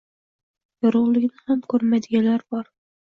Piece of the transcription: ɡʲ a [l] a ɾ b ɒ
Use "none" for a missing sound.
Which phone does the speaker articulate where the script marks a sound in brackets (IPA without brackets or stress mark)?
l